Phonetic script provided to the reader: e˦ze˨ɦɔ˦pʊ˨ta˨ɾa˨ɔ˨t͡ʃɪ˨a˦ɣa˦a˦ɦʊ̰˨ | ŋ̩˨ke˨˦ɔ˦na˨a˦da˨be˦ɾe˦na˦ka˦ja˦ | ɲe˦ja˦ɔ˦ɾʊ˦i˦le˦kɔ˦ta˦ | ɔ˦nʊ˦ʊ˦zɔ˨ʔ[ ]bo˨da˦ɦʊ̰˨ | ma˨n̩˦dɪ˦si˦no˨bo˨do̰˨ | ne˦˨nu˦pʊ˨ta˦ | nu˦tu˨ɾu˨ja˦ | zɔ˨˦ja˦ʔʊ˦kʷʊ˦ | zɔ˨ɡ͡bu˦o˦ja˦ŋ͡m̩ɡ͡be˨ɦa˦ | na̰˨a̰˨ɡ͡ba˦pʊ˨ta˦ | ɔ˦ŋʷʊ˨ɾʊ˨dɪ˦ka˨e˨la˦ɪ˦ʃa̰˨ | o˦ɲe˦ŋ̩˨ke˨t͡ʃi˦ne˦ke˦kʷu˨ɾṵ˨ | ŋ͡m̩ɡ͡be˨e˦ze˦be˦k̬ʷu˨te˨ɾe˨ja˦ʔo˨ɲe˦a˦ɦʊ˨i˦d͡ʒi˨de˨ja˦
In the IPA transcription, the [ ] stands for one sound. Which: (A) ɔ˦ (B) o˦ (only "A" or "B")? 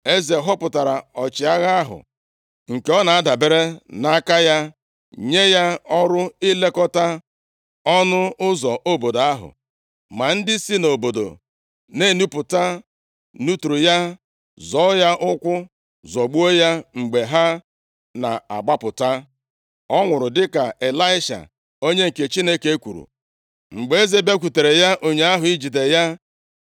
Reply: B